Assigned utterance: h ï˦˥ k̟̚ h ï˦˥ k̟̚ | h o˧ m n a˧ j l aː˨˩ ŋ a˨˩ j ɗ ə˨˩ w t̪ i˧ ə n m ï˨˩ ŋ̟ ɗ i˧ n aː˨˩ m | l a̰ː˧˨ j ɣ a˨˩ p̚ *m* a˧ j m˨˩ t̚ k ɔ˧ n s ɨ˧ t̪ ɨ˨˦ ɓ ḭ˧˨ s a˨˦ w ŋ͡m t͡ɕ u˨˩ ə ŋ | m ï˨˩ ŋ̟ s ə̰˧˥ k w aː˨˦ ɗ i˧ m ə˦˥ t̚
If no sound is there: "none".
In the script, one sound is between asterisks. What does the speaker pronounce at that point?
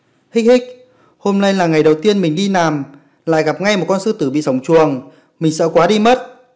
ŋ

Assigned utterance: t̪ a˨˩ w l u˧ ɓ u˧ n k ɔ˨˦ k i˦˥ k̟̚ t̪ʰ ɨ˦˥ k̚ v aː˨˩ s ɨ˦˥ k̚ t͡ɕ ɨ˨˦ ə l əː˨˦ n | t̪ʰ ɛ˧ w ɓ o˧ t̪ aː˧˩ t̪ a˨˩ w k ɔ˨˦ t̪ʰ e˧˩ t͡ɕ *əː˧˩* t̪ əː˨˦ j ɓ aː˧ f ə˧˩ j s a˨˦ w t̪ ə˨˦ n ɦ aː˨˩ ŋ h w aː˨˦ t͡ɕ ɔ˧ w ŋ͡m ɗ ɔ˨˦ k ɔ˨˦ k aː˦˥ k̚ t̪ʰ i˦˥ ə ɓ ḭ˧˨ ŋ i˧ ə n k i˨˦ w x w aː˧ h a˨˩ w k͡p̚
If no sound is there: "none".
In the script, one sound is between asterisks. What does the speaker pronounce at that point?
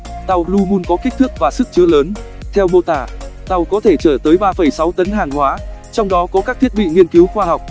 əː˧˩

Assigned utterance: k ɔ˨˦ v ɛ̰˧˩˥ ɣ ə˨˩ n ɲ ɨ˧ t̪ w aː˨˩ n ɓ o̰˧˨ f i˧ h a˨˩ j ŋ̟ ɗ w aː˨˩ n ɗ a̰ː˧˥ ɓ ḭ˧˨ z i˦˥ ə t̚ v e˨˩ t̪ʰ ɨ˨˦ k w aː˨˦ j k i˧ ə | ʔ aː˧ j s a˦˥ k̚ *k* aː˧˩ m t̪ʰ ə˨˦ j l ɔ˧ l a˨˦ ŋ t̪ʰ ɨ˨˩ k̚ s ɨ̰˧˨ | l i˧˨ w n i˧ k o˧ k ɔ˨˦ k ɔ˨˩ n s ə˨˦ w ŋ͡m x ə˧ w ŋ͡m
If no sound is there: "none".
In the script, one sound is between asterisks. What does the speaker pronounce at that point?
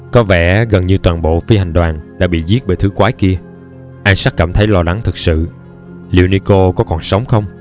k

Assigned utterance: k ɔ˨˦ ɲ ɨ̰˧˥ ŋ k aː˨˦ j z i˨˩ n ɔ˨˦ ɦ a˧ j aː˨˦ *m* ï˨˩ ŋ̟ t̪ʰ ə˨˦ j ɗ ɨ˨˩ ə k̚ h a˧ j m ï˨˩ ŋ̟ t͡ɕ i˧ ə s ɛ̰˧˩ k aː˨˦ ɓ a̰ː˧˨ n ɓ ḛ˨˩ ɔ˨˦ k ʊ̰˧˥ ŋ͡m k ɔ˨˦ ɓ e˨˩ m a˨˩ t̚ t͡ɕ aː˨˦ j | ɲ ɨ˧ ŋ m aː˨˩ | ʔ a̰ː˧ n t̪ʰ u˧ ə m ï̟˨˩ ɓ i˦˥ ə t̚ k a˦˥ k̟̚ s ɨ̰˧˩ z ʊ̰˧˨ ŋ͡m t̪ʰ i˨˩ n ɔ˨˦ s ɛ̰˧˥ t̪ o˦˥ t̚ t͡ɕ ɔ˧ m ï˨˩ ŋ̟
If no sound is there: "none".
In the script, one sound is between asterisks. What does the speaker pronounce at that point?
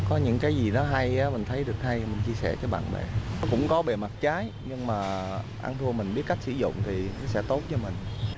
m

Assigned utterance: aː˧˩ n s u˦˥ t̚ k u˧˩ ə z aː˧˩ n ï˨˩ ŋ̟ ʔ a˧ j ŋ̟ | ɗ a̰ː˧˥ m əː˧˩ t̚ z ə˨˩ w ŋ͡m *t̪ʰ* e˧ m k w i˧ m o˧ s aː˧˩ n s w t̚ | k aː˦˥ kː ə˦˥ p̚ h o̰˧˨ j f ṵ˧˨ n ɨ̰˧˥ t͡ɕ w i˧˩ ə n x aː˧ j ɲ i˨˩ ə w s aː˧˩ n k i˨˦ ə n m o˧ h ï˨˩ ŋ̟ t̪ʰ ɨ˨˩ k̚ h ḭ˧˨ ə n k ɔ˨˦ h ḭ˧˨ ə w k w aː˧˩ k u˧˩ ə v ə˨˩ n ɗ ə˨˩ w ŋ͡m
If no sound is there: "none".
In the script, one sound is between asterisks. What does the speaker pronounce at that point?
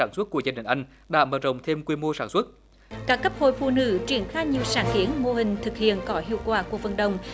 t̪ʰ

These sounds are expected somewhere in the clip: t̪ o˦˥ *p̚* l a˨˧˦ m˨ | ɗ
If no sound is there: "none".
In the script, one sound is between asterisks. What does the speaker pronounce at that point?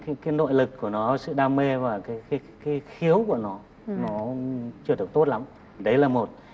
t̚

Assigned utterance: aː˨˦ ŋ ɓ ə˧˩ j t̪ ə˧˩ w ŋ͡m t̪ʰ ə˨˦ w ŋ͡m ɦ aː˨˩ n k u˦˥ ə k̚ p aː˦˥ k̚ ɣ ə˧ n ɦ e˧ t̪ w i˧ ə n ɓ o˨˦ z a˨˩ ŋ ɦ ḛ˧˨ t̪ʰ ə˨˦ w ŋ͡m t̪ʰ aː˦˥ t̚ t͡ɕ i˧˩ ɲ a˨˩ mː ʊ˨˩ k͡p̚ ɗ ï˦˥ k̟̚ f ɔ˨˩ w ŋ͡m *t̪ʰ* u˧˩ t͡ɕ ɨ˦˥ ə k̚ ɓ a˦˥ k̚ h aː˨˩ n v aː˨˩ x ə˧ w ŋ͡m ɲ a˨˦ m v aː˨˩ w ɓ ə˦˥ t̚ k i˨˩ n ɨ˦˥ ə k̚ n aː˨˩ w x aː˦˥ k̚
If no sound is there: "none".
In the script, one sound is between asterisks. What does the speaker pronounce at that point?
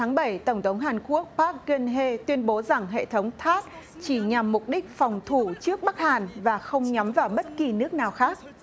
t̪ʰ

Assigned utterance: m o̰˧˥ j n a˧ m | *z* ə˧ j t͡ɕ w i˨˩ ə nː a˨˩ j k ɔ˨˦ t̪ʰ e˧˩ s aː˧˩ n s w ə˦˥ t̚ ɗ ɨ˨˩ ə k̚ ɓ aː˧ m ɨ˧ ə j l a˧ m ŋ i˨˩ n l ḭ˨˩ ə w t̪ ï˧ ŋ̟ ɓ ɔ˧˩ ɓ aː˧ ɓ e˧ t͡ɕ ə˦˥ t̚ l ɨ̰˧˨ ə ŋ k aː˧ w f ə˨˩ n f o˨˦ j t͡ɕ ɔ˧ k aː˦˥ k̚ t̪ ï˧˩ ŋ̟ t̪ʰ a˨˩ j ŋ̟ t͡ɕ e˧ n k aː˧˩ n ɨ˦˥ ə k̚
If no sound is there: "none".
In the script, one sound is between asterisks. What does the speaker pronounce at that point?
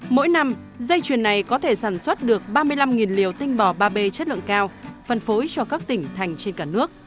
z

